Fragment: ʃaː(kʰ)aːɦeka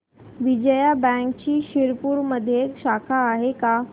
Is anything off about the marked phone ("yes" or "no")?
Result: no